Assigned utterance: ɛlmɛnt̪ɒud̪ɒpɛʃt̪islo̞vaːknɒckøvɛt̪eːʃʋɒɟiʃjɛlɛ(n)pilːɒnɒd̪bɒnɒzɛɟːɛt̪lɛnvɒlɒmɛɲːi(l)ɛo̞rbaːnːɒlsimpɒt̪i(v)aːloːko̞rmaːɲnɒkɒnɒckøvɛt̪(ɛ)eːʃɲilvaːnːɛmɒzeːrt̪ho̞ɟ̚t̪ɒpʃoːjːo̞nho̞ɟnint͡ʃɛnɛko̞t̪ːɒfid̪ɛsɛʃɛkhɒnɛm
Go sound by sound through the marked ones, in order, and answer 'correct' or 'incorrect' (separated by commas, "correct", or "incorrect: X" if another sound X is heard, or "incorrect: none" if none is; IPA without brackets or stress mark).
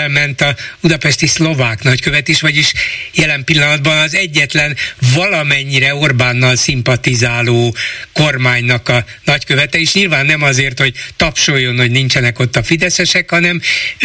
incorrect: m, incorrect: ɾ, incorrect: z, correct